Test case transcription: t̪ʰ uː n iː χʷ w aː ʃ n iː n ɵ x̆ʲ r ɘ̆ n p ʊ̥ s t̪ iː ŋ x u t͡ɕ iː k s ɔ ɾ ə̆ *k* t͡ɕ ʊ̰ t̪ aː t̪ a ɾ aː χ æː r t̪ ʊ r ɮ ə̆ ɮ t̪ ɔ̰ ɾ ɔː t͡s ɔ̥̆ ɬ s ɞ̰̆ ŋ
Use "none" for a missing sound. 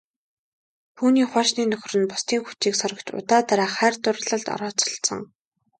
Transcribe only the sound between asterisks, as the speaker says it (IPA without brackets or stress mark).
k